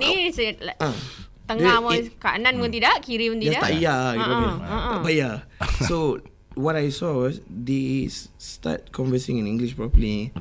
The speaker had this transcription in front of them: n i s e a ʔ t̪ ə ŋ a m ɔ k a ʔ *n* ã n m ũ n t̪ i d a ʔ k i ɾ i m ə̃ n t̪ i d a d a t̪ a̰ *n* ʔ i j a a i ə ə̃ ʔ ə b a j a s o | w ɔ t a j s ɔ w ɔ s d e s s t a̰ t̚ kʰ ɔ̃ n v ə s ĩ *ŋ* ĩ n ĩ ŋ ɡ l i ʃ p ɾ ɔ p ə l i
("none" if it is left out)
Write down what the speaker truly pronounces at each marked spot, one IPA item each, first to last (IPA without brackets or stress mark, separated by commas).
n, none, ŋ